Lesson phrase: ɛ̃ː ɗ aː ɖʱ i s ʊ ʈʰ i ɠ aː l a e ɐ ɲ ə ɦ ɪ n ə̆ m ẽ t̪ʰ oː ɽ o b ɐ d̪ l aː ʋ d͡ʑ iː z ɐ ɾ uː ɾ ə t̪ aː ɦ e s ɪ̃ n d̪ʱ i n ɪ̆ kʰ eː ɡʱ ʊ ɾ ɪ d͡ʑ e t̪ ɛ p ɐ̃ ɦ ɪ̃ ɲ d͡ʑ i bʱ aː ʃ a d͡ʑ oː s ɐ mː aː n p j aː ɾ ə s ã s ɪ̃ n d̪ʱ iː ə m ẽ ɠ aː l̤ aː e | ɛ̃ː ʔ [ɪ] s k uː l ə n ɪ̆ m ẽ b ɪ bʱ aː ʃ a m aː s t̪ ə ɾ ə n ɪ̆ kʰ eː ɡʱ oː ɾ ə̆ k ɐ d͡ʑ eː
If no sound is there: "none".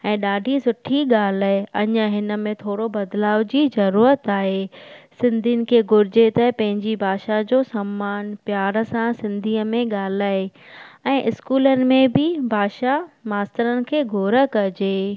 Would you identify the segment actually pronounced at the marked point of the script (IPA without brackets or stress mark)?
ɪ